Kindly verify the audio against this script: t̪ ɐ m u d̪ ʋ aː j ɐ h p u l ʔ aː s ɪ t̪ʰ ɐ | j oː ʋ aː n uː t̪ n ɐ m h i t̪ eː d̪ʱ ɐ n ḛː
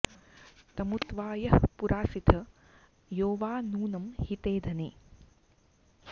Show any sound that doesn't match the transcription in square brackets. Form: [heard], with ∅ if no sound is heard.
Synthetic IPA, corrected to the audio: t̪ ɐ m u [t̪] ʋ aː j ɐ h p u [ɾ] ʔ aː s [i] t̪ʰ ɐ | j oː ʋ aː n uː [∅] n ɐ m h i t̪ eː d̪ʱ ɐ n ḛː